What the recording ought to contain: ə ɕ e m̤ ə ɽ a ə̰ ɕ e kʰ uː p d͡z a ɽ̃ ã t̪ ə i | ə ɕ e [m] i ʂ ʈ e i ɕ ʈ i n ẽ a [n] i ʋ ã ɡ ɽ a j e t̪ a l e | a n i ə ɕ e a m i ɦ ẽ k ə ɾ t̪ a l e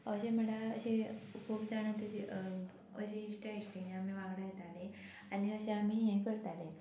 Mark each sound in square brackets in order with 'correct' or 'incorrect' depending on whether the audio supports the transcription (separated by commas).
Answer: incorrect, incorrect